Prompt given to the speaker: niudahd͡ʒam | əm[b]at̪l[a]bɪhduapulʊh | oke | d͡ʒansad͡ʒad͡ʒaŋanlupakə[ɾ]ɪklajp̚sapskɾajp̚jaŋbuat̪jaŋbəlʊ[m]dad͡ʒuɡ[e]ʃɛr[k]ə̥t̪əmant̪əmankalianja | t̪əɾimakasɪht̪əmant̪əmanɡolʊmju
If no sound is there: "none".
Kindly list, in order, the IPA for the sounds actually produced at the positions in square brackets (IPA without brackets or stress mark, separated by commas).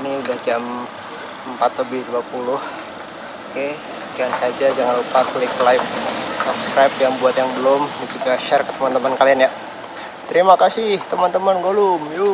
p, ə, l, m, a, k